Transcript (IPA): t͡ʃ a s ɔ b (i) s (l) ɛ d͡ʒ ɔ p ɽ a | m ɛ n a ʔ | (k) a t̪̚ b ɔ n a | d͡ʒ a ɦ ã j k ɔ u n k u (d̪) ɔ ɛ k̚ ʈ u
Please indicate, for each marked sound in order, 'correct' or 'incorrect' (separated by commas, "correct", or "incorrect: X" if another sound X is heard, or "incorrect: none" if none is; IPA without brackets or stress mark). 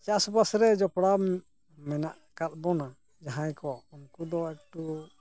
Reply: incorrect: a, incorrect: ɾ, correct, correct